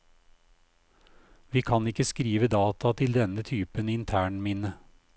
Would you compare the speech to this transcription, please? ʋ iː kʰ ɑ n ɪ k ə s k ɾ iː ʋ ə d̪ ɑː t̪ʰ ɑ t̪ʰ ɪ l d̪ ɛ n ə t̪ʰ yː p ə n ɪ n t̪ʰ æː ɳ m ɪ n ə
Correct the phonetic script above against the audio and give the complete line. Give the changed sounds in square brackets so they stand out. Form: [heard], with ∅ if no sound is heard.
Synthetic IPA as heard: ʋ iː kʰ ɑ n ɪ k ə s k ɾ iː ʋ ə d̪ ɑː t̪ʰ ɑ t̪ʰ ɪ l d̪ ɛ n ə t̪ʰ yː p ə n ɪ n t̪ʰ æː ɳ m ɪ n ə